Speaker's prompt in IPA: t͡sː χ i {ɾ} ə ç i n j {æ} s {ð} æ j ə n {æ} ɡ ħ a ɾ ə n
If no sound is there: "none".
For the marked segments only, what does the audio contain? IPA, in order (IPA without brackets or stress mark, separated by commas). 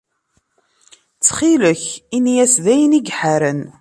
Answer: l, æ, ð, i